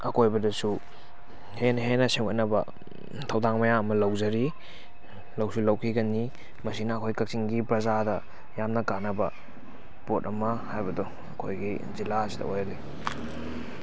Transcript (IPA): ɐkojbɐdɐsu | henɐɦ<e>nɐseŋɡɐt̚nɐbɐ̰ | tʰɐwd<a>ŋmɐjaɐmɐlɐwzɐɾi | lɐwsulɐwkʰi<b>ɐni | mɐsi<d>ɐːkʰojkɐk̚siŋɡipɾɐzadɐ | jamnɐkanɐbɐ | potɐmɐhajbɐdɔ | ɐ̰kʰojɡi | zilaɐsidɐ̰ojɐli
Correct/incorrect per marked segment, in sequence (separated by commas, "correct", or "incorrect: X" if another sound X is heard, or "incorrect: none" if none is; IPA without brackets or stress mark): correct, correct, incorrect: ɡ, incorrect: n